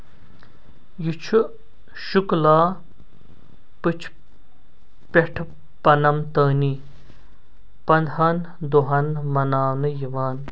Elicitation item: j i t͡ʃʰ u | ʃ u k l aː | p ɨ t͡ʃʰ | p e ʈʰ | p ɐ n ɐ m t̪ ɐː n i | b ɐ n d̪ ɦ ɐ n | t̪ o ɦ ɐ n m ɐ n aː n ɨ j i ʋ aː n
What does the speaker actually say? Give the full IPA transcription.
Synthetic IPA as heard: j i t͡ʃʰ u | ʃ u k l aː | p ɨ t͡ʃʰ | p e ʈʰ | p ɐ n ɐ m t̪ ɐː n i | p ɐ n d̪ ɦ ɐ n | d̪ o ɦ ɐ n m ɐ n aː n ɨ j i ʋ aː n